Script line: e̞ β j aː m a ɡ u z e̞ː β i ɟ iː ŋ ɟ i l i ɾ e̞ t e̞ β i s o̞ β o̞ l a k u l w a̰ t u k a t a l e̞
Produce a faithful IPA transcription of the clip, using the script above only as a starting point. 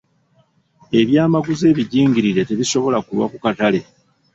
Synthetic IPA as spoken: e̞ β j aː m a ɡ u z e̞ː β i ɟ iː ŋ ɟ i ɾ i ɾ e̞ t e̞ β i s o̞ β o̞ l a k u l w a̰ k u k a t a l e̞